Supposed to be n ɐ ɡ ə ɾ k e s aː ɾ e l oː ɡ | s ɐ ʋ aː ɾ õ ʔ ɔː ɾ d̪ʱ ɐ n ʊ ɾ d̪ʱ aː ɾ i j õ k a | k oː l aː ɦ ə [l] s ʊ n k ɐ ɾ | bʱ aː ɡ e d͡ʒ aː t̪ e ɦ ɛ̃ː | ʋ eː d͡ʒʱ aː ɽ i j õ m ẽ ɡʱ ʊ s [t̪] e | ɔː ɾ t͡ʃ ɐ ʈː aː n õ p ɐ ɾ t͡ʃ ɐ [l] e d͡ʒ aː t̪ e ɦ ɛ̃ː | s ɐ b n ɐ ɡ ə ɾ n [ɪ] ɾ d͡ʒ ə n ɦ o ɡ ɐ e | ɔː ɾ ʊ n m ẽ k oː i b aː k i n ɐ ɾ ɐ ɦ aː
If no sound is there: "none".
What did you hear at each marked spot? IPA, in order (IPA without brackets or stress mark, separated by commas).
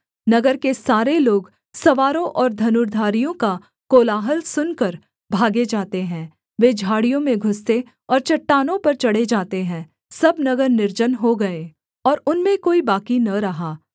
l, t̪, ɽ, ɪ